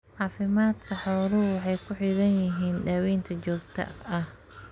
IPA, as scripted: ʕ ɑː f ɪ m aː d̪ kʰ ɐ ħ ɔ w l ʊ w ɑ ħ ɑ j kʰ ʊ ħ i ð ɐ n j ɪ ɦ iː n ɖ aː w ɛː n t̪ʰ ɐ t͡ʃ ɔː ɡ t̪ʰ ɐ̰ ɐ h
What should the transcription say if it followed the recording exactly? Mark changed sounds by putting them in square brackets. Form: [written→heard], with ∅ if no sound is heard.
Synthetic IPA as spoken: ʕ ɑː f ɪ m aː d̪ kʰ ɐ ħ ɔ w l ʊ w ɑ ħ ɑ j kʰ ʊ ħ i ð ɐ n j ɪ ɦ iː n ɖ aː w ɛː n t̪ʰ ɐ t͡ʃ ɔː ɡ t̪ʰ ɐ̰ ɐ h